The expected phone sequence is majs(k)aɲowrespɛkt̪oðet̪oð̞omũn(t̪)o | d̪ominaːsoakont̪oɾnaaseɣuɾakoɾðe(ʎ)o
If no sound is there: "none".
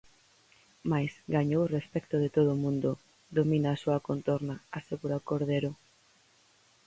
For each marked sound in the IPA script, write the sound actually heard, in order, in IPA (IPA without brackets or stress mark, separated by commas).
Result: ɡ, d̪, ɾ